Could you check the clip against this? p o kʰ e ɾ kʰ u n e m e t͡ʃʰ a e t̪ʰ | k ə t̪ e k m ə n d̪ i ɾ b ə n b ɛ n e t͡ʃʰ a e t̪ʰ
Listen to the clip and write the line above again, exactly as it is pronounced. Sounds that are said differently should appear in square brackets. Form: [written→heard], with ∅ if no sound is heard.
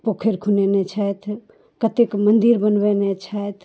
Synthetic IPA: p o kʰ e ɾ kʰ u n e [m→n] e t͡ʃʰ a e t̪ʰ | k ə t̪ e k m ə n d̪ i ɾ b ə n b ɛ n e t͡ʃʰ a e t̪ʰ